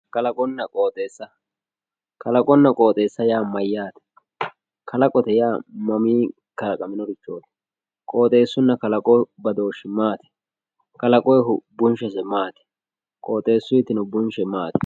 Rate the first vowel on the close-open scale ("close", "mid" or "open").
open